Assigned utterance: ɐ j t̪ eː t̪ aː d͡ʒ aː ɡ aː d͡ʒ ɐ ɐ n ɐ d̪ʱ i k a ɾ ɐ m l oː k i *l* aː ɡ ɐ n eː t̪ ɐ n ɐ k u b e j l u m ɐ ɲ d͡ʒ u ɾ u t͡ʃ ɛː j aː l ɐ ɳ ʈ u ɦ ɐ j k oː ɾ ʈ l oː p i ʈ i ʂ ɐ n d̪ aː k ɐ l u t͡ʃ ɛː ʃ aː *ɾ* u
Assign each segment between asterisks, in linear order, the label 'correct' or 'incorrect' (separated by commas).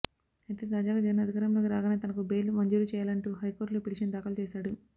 incorrect, incorrect